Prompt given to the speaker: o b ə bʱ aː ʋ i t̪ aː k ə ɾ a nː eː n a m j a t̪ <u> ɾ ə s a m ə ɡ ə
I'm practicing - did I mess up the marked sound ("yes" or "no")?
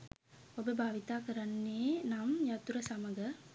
no